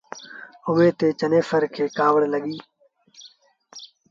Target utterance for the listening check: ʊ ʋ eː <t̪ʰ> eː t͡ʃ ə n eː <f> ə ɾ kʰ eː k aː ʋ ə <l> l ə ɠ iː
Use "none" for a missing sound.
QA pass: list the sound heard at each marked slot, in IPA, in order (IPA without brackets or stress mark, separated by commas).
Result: t̪, f, ɽ